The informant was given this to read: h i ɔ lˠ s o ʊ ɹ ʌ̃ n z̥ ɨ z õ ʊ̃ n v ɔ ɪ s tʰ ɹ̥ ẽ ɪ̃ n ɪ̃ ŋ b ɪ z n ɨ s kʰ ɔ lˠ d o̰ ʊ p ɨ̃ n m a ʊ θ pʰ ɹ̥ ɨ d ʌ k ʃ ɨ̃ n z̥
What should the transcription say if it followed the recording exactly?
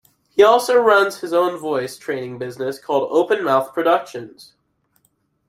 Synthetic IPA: h i ɔ lˠ s o ʊ ɹ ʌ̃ n z̥ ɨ z õ ʊ̃ n v ɔ ɪ s tʰ ɹ̥ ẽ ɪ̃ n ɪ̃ ŋ b ɪ z n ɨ s kʰ ɔ lˠ d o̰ ʊ p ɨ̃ n m a ʊ θ pʰ ɹ̥ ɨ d ʌ k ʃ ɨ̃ n z̥